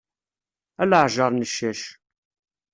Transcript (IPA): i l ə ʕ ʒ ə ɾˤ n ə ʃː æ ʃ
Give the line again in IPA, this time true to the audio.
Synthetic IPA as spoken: æ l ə ʕ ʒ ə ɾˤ n ə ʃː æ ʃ